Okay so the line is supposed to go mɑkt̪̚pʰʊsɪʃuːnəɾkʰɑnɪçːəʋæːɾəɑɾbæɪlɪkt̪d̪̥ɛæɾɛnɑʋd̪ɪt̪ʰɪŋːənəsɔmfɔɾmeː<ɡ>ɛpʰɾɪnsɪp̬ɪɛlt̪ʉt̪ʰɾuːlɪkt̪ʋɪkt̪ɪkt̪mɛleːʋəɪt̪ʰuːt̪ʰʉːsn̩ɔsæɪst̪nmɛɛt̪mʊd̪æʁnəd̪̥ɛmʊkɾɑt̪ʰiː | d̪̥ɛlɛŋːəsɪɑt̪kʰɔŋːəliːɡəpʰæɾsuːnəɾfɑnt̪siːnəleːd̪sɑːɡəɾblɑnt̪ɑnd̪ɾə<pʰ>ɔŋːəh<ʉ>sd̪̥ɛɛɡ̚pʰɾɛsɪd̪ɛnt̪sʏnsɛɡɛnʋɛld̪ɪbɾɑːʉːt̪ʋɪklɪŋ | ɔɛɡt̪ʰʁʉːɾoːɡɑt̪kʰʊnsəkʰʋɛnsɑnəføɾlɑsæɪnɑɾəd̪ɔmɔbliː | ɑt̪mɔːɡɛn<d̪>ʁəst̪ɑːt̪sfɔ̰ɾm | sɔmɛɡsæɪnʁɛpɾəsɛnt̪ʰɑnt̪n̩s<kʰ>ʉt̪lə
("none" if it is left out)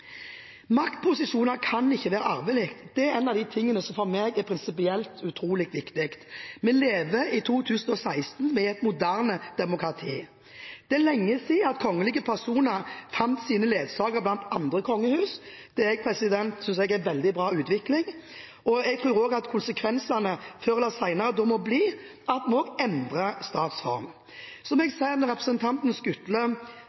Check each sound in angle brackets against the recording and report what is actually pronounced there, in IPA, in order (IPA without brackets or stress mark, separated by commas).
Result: ɡ, kʰ, ʉː, d̪, k